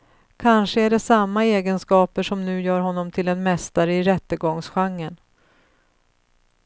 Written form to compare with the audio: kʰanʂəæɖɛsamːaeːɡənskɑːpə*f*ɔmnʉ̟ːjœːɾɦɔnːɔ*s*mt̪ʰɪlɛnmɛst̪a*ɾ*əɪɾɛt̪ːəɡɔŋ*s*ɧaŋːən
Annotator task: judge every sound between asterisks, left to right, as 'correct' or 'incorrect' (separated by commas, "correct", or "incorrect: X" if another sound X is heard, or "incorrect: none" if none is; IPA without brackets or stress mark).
incorrect: ʂ, incorrect: none, correct, correct